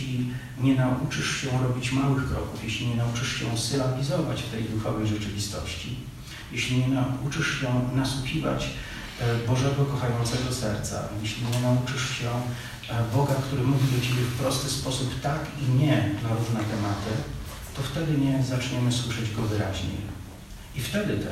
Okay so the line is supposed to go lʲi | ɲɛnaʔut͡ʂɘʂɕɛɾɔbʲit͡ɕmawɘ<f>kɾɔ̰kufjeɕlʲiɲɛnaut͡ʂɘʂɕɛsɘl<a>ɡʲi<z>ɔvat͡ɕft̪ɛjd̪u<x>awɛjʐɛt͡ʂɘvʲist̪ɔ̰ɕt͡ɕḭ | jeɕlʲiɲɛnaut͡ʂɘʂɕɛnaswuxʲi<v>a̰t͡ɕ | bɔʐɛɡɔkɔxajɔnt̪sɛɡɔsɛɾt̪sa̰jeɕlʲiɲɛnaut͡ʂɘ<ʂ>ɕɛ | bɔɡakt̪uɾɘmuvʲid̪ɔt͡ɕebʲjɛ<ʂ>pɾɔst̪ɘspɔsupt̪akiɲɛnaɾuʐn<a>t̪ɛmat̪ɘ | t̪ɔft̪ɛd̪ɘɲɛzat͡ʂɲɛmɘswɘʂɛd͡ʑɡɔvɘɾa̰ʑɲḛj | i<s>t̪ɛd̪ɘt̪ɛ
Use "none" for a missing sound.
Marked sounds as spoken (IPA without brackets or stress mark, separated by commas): x, a, z, f, v, ʂ, f, ɛ, f